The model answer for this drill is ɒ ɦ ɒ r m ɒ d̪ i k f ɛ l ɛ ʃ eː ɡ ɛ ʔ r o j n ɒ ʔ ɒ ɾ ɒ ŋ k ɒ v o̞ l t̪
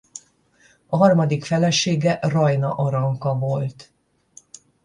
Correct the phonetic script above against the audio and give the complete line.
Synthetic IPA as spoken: ɒ ɦ ɒ r m ɒ d̪ i k f ɛ l ɛ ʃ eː ɡ ɛ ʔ r ɒ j n ɒ ʔ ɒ ɾ ɒ ŋ k ɒ v o̞ l t̪